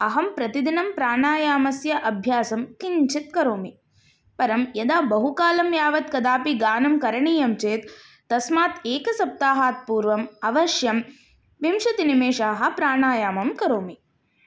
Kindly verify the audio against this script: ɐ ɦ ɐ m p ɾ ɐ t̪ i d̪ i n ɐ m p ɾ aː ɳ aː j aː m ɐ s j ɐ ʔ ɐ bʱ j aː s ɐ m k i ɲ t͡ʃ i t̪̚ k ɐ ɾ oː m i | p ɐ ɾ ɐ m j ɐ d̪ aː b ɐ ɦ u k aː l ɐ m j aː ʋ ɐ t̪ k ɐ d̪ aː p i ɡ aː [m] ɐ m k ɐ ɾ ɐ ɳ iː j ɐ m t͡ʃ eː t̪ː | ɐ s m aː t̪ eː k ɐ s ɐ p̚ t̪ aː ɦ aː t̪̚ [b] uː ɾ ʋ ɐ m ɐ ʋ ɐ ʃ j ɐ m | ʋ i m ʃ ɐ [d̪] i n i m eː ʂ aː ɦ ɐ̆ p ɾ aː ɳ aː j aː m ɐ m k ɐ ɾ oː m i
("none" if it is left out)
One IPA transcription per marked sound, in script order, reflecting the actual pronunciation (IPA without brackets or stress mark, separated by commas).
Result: n, p, t̪